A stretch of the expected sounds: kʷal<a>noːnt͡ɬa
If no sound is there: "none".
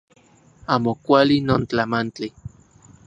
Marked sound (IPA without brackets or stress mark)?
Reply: i